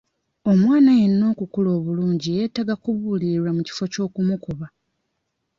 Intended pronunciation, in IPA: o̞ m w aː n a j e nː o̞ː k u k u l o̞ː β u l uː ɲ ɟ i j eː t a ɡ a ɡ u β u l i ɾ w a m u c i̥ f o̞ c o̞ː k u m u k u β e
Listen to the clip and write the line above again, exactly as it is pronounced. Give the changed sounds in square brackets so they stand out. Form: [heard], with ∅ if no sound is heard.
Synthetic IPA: o̞ m w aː n a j e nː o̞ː k u k u l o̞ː β u l uː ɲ ɟ i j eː t a ɡ a [k] u β u l i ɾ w a m u c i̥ f o̞ c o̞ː k u m u k u β [a]

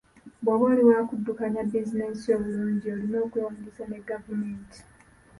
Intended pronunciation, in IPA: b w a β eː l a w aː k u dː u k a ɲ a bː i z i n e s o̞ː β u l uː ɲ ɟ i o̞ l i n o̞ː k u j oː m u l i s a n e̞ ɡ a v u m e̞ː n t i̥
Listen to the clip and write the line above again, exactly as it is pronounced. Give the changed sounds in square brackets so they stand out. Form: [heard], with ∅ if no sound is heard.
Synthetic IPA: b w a β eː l [i] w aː k u dː u k a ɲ a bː i z i n e s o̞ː β u l uː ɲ ɟ i o̞ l i n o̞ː k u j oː m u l i s a n e̞ ɡ a v u m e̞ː n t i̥

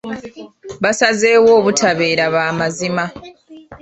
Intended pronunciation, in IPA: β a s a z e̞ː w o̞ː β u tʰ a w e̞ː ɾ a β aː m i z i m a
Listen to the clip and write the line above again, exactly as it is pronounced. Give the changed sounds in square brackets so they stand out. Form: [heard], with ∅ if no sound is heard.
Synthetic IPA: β a s a z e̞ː w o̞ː β u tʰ a [β] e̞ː ɾ a β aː m [a] z i m a

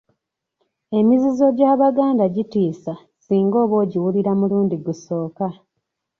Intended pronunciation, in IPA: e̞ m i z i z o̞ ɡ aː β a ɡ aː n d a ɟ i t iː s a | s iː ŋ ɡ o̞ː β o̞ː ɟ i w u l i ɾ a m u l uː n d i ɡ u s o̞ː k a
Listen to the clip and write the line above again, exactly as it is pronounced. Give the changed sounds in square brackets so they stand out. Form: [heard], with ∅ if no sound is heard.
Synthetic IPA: e̞ m i z i z o̞ [ɟ] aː β a ɡ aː n d a ɟ i t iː s a | s iː ŋ ɡ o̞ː β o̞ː ɟ i w u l i ɾ a m u l uː n d i ɡ u s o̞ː k a

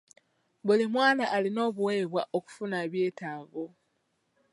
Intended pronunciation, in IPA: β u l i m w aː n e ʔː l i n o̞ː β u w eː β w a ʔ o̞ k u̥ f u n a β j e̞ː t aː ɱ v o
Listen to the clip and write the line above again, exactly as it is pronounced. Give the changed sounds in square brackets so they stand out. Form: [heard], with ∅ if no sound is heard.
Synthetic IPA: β u l i m w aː n [a] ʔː l i n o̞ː β u w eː β w a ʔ o̞ k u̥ f u n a β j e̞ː t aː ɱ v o

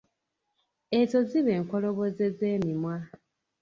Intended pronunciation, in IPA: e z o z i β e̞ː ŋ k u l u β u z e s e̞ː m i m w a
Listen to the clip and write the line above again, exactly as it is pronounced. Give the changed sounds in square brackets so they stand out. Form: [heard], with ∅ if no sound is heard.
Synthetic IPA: e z o z i β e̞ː ŋ k [o] l [o] β [o] z e [z] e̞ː m i m w a

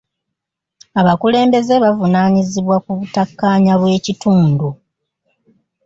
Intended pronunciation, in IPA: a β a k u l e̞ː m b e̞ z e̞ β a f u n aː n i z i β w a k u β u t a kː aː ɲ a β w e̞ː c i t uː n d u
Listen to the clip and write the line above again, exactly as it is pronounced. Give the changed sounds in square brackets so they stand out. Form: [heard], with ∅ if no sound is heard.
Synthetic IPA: a β a k u l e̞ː m b e̞ z e̞ β a [v] u n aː [ɲ] i z i β w a k u β u t a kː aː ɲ a β w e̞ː c i t uː n d u

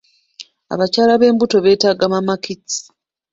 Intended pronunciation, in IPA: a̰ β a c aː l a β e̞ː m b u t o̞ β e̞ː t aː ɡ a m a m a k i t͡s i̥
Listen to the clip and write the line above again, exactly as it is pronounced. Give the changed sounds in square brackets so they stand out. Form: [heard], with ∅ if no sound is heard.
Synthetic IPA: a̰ β a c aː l a β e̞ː m b u t o̞ β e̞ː t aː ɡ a m a m a k i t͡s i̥

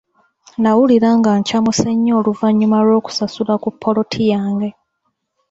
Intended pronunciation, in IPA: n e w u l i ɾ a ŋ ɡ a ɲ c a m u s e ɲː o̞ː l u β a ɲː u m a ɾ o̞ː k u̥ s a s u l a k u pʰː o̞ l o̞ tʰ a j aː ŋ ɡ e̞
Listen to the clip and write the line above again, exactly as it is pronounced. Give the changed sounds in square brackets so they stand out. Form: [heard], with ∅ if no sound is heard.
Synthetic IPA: n [a] w u l i ɾ a ŋ ɡ a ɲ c a m u s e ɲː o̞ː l u [v] a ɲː u m a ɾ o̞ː k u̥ s a s u l a k u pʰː o̞ l o̞ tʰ [i] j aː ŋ ɡ e̞

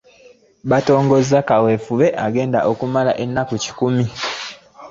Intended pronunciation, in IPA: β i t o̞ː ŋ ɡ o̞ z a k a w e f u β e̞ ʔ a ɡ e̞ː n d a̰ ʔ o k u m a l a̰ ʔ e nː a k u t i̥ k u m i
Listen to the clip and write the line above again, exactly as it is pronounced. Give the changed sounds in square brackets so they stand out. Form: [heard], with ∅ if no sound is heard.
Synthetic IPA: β [a] t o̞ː ŋ ɡ o̞ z a k a w e f u β e̞ ʔ a ɡ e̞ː n d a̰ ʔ o k u m a l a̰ ʔ e nː a k u [c] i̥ k u m i

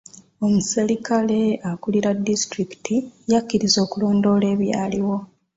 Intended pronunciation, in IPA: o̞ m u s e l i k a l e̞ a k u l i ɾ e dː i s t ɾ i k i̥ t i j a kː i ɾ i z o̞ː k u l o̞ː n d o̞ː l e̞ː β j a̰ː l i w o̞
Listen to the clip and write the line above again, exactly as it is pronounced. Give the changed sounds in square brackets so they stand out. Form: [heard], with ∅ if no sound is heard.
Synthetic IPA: o̞ m u s e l i k a l e̞ a k u l i ɾ [a] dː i s t ɾ i k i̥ t i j a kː i ɾ i z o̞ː k u l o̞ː n d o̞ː l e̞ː β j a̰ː l i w o̞

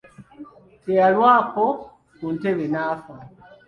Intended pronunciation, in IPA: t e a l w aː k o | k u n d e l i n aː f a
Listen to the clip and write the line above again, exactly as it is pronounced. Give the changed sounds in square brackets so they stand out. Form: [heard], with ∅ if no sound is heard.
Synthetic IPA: t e a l w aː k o | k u n [t] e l [e] n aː f a

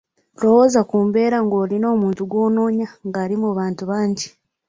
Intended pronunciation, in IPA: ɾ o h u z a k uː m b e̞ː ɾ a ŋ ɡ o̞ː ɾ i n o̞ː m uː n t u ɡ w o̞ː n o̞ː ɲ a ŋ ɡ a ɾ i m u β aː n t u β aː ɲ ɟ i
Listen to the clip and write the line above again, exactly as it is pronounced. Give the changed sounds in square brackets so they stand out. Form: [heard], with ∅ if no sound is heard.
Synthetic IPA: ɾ o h [o] z a k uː m b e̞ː ɾ a ŋ ɡ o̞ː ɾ i n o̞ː m uː n t u ɡ w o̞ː n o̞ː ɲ a ŋ ɡ a ɾ i m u β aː n t u β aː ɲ ɟ i

